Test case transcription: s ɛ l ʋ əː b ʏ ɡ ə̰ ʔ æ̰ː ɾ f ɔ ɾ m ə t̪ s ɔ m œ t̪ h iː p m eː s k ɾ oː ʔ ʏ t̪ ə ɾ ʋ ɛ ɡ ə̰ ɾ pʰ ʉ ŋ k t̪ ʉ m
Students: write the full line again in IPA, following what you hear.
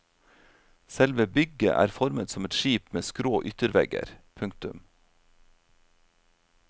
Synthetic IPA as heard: s ɛ l ʋ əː b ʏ ɡ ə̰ ʔ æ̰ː ɾ f ɔ ɾ m ə t̪ s ɔ m ɛ t̪ ʃ iː p m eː s k ɾ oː ʔ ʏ t̪ ə ɾ ʋ ɛ ɡ ə̰ ɾ pʰ ʉ ŋ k t̪ ʉ m

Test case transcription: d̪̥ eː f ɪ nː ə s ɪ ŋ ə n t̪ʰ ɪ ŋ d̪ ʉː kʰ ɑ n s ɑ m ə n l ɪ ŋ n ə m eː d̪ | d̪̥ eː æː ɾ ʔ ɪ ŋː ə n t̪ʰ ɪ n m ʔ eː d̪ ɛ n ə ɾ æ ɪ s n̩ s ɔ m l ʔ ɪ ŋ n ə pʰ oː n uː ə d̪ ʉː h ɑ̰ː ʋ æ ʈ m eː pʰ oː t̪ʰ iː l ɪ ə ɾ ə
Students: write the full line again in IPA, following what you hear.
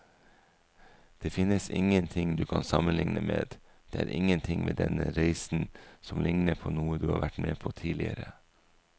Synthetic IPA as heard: d̪̥ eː f ɪ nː ə s ɪ ŋ ə n t̪ʰ ɪ ŋ d̪ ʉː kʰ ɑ n s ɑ m ə n l ɪ ŋ n ə m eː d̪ | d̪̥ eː æː ɾ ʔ ɪ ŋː ə n t̪ʰ ɪ ŋ m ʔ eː d̪ ɛ n ə ɾ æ ɪ s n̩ s ɔ m l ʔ ɪ ŋ n ə pʰ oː n uː ə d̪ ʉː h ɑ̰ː ʋ æ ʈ m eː pʰ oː t̪ʰ iː l ɪ ə ɾ ə

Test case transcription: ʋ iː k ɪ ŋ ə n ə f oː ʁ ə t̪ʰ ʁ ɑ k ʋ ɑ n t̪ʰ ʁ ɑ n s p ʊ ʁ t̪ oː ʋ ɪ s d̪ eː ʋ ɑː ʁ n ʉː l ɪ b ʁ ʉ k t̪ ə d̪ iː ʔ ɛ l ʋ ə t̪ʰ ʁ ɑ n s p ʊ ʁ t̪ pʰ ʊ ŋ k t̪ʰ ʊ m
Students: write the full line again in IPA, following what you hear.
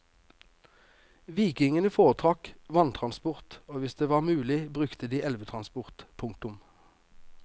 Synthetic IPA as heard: ʋ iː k ɪ ŋ ə n ə f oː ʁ ə t̪ʰ ʁ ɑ k ʋ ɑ n t̪ʰ ʁ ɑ n s p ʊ ʁ t̪ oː ʋ ɪ s d̪ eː ʋ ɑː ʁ m ʉː l ɪ b ʁ ʉ k t̪ ə d̪ iː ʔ ɛ l ʋ ə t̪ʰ ʁ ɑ n s p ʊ ʁ t̪ pʰ ʊ ŋ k t̪ ʊ m

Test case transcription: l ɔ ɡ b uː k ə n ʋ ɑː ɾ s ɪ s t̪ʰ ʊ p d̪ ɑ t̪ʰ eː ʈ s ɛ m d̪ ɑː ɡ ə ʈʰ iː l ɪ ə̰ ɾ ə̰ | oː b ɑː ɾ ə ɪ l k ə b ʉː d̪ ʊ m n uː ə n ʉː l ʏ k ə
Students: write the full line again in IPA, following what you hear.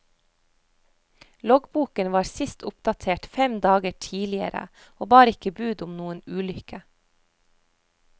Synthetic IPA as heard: l ɔ ɡ b uː k ə n ʋ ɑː ɾ s ɪ s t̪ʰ ʊ p d̪ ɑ t̪ʰ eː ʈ f ɛ m d̪ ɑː ɡ ə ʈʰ iː l ɪ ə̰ ɾ ə̰ | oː b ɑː ɾ ə ɪ k ə b ʉː d̪ ʊ m n uː ə n ʉː l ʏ k ə

